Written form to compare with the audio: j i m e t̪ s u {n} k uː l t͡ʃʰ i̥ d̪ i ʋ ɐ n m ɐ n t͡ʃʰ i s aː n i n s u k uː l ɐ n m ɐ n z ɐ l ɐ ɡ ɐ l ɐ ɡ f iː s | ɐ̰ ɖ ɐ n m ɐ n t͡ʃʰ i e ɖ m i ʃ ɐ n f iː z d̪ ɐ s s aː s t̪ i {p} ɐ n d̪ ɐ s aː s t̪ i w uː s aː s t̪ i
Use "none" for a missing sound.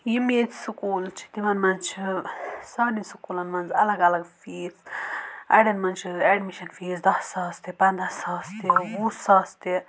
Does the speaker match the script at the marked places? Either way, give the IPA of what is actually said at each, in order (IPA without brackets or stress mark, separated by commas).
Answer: none, p